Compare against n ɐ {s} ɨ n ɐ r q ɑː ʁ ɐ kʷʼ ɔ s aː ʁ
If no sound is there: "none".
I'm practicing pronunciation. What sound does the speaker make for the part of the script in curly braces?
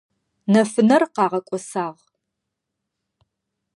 f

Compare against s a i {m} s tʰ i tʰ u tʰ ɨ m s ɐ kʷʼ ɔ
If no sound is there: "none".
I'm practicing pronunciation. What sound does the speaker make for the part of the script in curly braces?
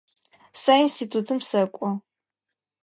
n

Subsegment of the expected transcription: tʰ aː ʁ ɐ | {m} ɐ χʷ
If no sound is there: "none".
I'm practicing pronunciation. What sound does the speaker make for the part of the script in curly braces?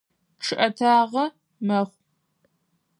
m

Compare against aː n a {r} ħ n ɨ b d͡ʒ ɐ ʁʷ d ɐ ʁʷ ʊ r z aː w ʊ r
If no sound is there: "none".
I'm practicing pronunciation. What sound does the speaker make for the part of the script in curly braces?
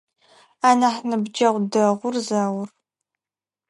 none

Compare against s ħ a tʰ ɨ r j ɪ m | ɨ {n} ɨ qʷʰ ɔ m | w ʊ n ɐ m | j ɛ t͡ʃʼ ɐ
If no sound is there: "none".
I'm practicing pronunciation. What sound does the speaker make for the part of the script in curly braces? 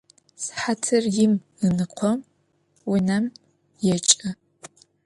n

